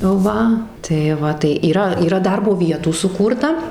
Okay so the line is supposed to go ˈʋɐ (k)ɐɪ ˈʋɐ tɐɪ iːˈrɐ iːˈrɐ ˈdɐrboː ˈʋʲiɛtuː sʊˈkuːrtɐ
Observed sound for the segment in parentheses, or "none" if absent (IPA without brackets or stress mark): t